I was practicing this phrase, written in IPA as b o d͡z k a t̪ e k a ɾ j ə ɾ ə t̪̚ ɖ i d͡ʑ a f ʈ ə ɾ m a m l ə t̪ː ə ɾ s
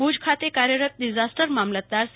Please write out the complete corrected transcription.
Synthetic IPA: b u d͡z kʰ a t̪ e k a ɾ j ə ɾ ə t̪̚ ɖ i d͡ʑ a s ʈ ə ɾ m a m l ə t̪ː a ɾ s

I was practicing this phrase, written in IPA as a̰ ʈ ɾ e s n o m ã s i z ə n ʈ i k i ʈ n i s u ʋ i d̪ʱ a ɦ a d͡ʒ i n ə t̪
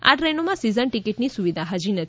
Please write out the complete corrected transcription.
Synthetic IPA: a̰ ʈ ɾ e n o m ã s i z ə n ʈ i k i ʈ n i s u ʋ i d̪ʱ a ɦ a d͡ʒ i n ə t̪

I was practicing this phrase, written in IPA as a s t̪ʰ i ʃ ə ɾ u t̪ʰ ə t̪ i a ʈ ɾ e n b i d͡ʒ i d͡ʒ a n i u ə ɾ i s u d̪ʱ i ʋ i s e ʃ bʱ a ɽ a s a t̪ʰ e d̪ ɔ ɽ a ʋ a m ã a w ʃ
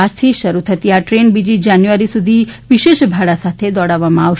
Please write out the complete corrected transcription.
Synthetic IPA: a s t̪ʰ i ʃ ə ɾ u t̪ʰ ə t̪ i a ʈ ɾ e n b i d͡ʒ i d͡ʒ a n j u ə ɾ i s u d̪ʱ i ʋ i ʃ e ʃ bʱ a ɽ a s a t̪ʰ e d̪ ɔ ɽ a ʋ a m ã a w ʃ

